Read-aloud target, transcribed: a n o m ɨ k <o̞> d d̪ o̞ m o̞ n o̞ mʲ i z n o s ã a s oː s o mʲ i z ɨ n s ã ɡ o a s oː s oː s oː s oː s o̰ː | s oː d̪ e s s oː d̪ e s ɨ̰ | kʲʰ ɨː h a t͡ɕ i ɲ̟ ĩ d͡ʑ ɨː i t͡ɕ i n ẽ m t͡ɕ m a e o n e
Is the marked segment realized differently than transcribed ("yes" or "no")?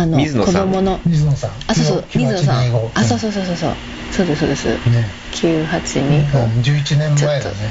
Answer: no